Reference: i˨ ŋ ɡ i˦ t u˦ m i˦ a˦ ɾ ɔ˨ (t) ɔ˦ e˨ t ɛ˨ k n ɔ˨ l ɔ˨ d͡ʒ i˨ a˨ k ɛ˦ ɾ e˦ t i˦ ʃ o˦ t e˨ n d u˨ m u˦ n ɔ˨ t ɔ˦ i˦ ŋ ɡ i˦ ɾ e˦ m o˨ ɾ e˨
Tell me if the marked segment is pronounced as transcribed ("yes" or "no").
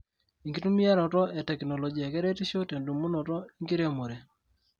yes